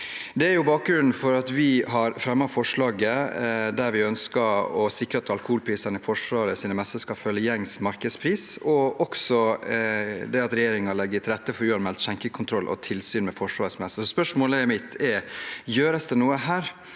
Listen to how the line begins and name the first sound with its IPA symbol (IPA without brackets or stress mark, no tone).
d̪